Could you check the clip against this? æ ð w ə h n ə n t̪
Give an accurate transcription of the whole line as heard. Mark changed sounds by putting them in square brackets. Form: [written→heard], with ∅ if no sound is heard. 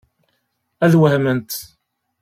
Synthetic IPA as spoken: æ ð w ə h [n→m] ə n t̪